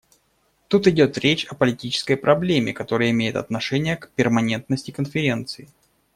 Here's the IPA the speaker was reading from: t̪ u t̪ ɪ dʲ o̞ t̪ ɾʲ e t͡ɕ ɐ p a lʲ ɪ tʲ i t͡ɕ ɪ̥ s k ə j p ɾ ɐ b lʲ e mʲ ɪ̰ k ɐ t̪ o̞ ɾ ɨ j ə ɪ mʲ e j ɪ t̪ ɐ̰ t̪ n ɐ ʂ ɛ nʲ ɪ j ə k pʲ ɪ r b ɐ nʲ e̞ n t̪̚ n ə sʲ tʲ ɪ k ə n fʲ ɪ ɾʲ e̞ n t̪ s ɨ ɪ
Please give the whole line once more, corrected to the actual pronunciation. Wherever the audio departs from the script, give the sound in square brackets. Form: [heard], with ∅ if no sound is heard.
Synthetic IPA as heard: t̪ u t̪ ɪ dʲ o̞ t̪ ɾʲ e t͡ɕ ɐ p [ə] lʲ ɪ tʲ i t͡ɕ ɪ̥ s k ə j p ɾ ɐ b lʲ e mʲ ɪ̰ k ɐ t̪ o̞ ɾ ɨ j ə ɪ mʲ e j ɪ t̪ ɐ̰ t̪ n ɐ ʂ ɛ nʲ ɪ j ə k pʲ ɪ r [m] ɐ nʲ e̞ n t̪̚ n ə sʲ tʲ ɪ k ə n fʲ ɪ ɾʲ e̞ n t̪ s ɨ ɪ